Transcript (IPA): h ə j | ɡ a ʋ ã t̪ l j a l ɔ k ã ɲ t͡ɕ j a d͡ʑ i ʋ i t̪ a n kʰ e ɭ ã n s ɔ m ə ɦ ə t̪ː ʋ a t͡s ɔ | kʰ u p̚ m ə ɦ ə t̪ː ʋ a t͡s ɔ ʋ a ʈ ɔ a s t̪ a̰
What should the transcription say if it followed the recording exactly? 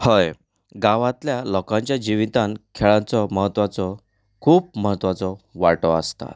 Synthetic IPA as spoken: h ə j | ɡ a ʋ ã t̪ l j a l ɔ k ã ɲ t͡ɕ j a d͡ʑ i ʋ i t̪ a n kʰ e ɭ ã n t͡s ɔ m ə ɦ ə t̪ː ʋ a t͡s ɔ | kʰ uː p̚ m ə ɦ ə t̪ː ʋ a t͡s ɔ ʋ a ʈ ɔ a s t̪ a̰